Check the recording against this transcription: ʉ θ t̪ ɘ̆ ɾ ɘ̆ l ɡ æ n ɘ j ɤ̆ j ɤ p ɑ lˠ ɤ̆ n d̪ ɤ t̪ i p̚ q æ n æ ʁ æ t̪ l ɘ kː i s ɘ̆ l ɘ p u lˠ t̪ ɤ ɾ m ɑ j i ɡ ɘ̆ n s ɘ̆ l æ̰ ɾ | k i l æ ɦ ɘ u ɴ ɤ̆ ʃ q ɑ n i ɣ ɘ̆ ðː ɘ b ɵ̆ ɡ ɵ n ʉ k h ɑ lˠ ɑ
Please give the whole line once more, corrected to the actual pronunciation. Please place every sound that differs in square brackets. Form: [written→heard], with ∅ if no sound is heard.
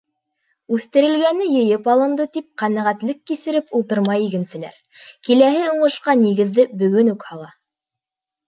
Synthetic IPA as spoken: ʉ θ t̪ ɘ̆ ɾ ɘ̆ l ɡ æ n ɘ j ɤ̆ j ɤ p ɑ lˠ ɤ̆ n d̪ ɤ t̪ i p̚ q æ n æ ʁ æ t̪ l ɘ kː i s ɘ̆ [l→ɾ] ɘ p u lˠ t̪ ɤ ɾ m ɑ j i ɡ ɘ̆ n s ɘ̆ l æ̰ ɾ | k i l æ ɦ ɘ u ɴ ɤ̆ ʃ q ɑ n i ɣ ɘ̆ ðː ɘ b ɵ̆ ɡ ɵ n ʉ k h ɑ lˠ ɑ